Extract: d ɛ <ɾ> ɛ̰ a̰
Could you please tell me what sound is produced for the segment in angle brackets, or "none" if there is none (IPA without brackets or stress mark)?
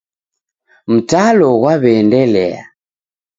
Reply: l